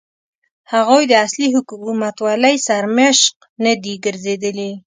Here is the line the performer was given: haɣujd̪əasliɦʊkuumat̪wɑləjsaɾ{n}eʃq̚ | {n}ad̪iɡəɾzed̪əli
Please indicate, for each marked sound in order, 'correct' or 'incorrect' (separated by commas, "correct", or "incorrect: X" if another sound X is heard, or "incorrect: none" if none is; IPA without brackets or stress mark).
incorrect: m, correct